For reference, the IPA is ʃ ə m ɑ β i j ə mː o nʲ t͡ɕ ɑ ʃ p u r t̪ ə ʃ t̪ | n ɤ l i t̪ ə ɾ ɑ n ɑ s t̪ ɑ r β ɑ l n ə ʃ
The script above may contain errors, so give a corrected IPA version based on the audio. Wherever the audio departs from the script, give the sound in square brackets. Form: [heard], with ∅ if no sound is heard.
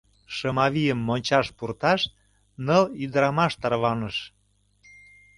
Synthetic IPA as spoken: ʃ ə m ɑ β i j ə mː o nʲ t͡ɕ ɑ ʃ p u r t̪ [ɑ] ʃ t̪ | n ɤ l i [d̪] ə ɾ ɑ [m] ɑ [ʃ] t̪ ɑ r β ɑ [∅] n ə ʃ